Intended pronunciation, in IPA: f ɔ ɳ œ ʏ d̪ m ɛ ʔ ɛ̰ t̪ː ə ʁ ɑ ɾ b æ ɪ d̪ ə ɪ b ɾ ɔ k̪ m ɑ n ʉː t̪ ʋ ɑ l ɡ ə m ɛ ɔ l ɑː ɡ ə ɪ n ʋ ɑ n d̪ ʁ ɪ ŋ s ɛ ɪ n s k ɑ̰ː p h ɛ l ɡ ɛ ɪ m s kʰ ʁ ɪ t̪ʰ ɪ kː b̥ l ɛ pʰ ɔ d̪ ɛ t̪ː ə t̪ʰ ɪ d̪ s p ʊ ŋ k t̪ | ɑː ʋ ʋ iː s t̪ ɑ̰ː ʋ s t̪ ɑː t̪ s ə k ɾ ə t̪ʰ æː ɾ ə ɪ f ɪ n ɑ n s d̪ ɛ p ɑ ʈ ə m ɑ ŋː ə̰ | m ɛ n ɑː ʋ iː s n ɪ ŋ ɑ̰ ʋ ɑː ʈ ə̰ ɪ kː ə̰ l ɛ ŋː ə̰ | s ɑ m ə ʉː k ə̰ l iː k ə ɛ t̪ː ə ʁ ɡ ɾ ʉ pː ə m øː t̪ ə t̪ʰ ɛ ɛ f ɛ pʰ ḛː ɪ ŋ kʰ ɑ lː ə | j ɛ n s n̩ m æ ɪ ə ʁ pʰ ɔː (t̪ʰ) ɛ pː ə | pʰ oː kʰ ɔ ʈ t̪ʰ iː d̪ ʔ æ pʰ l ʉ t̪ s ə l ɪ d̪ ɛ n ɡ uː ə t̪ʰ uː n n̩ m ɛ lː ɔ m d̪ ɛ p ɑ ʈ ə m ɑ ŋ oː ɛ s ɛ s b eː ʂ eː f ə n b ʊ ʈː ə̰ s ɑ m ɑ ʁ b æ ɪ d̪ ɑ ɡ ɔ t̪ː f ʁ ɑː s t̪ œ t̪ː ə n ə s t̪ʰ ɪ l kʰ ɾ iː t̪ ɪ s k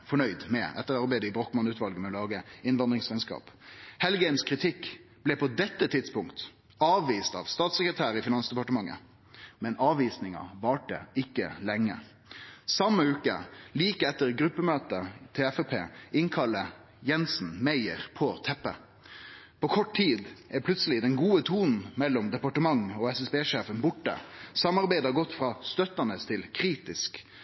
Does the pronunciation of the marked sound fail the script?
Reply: no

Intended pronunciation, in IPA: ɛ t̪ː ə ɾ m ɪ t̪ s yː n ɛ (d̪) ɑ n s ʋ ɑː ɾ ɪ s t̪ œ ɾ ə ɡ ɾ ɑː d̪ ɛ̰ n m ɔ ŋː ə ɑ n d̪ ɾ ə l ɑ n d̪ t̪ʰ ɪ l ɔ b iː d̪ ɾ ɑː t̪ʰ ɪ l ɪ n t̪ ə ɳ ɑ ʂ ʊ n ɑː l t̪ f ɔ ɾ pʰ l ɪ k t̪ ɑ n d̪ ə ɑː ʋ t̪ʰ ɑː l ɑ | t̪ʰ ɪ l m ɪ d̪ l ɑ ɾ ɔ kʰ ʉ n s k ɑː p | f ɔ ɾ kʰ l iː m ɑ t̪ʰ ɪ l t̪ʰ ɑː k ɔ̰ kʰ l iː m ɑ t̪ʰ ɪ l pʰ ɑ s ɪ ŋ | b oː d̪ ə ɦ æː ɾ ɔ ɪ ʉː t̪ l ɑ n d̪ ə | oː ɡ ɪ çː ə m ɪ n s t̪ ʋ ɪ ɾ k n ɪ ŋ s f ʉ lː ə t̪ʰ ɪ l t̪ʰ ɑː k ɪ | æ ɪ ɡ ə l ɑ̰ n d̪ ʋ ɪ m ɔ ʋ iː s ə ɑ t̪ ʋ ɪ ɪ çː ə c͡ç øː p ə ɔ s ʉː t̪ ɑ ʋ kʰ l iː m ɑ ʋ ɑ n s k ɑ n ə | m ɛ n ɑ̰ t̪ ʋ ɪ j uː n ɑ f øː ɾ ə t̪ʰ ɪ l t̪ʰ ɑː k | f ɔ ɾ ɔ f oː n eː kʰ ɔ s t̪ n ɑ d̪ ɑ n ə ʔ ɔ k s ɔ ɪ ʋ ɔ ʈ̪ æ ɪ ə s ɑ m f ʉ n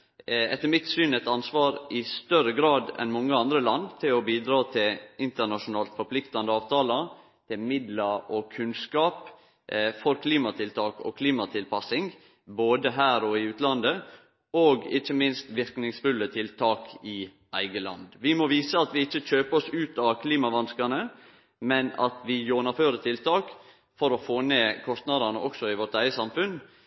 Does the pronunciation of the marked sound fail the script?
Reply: yes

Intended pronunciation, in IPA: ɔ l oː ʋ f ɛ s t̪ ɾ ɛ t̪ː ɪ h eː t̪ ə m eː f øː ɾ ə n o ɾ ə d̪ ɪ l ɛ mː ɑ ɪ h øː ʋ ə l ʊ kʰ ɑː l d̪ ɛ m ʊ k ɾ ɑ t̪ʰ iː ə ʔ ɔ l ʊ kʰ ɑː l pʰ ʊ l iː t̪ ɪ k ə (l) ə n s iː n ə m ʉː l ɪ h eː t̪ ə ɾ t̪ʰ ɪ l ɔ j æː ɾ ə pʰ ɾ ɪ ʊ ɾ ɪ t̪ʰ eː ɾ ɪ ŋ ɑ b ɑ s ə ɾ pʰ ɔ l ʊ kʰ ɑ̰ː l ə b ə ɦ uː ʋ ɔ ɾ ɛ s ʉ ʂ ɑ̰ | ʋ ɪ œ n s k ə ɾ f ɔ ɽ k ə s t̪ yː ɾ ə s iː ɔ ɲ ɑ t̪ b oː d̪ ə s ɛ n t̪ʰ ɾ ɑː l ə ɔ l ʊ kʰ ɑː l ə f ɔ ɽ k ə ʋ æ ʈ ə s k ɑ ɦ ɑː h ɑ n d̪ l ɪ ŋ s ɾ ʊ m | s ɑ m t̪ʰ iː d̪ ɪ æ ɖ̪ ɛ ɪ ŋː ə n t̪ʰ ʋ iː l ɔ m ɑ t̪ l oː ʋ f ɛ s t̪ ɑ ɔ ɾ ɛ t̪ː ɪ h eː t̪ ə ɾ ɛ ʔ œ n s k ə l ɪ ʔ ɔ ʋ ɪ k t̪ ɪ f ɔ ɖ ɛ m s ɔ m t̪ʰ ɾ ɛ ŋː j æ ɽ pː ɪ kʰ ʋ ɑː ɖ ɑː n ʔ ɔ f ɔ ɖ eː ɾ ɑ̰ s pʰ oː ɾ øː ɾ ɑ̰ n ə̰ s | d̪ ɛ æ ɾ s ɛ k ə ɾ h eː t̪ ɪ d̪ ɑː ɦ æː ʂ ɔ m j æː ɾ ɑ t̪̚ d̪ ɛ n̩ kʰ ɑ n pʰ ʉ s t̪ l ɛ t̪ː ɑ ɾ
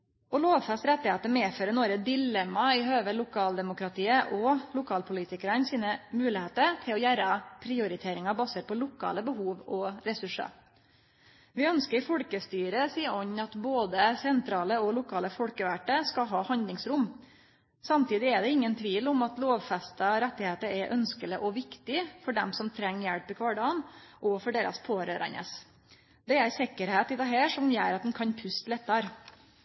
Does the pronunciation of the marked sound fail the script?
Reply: yes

